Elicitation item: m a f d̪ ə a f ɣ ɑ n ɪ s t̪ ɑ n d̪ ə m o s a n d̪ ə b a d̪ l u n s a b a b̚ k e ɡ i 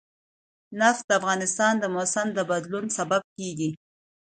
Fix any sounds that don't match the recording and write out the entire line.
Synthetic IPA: n a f d̪ ə a f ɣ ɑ n ɪ s t̪ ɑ n d̪ ə m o s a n d̪ ə b a d̪ l u n s a b a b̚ k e ɡ i